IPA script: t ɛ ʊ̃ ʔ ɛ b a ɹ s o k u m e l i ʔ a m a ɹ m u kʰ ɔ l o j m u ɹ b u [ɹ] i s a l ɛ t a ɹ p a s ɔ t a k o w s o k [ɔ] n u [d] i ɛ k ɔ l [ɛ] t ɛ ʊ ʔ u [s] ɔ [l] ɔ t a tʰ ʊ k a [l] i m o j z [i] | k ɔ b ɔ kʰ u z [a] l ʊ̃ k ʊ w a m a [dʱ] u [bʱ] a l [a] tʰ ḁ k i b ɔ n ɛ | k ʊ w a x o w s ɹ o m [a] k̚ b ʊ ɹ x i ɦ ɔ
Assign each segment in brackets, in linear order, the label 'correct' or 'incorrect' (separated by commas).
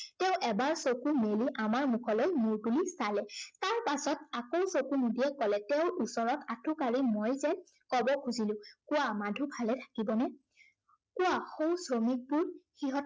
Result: incorrect, incorrect, correct, correct, correct, incorrect, incorrect, incorrect, incorrect, correct, correct, incorrect, incorrect